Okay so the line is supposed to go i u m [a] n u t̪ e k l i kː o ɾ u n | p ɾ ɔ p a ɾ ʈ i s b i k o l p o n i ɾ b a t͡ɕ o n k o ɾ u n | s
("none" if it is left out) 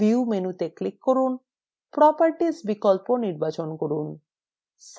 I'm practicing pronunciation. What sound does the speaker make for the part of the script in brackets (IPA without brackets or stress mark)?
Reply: e